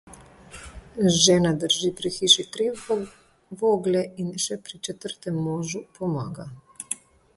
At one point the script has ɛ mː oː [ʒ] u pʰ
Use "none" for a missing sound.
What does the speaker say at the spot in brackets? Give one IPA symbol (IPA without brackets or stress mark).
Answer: ʒ